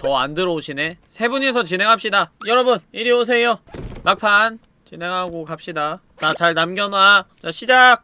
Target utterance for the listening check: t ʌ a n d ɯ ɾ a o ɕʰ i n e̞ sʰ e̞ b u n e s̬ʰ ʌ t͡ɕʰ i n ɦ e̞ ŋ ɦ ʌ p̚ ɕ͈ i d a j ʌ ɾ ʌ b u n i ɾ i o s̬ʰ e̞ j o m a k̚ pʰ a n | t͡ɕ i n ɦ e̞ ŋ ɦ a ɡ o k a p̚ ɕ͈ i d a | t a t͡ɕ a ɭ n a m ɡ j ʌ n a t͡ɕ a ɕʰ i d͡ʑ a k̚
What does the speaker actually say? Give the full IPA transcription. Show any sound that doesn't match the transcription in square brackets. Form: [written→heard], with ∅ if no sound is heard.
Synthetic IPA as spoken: t ʌ a n d ɯ ɾ [a→ʌ] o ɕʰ i n e̞ sʰ e̞ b u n e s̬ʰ ʌ [t͡ɕʰ→t͡ɕ] i n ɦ e̞ ŋ ɦ [ʌ→a] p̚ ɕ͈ i d a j ʌ ɾ ʌ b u n i ɾ i o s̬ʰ e̞ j o m a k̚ pʰ a n | t͡ɕ i n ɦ e̞ ŋ ɦ a ɡ o k a p̚ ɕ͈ i d a | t a t͡ɕ a ɭ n a m ɡ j ʌ n a t͡ɕ a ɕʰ i d͡ʑ a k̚